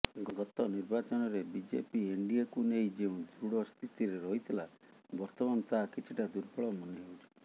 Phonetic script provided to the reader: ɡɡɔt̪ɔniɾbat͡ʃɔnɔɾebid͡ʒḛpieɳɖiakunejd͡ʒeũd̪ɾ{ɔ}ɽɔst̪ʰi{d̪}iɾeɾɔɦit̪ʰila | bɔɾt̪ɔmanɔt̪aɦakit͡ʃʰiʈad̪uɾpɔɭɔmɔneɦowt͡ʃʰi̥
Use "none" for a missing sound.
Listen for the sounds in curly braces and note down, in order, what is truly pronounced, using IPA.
u, t̪

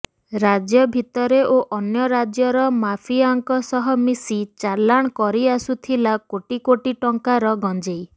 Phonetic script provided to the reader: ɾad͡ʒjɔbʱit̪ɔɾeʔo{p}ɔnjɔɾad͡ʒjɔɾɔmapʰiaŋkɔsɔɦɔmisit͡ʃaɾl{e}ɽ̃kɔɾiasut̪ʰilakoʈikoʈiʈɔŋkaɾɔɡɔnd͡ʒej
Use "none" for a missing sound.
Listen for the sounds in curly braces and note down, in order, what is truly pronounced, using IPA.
ʔ, a

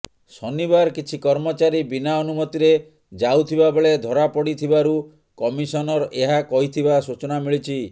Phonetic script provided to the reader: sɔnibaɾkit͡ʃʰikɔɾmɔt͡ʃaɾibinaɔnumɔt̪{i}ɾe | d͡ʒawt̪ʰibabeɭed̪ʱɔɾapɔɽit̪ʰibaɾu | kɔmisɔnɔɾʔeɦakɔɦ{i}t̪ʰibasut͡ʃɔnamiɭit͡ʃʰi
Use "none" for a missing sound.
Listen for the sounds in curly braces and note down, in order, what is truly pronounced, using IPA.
i, i

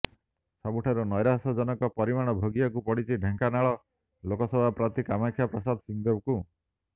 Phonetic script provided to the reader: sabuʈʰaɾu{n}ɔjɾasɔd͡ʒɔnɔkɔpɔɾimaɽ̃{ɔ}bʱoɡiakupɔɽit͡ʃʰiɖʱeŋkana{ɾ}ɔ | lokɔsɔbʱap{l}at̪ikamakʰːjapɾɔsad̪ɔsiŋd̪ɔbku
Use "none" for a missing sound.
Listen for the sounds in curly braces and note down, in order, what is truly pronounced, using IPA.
n, ɔ, ɭ, ɾ

